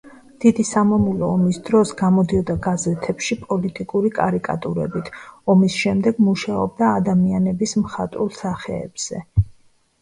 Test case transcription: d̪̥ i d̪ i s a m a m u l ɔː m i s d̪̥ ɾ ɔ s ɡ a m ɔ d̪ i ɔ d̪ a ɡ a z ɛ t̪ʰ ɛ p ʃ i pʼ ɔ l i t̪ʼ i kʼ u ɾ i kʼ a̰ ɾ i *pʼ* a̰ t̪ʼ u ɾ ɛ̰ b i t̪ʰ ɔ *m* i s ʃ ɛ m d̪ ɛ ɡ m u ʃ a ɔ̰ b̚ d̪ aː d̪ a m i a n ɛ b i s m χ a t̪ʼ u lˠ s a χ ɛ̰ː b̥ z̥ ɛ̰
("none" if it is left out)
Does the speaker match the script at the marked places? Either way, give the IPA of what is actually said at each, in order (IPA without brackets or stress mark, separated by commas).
kʼ, m